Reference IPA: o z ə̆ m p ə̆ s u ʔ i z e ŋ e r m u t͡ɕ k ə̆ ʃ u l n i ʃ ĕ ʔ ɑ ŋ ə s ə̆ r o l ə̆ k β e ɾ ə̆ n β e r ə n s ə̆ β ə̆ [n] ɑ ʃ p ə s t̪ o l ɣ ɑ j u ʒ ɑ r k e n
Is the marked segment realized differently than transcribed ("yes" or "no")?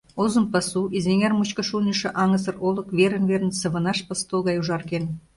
no